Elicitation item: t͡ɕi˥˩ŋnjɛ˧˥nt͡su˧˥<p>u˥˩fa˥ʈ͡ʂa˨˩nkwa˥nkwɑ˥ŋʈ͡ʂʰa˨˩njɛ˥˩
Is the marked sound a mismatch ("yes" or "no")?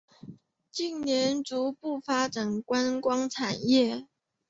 no